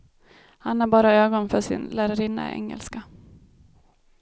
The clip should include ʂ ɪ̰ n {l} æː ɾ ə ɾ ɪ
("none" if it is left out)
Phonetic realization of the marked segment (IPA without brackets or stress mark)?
l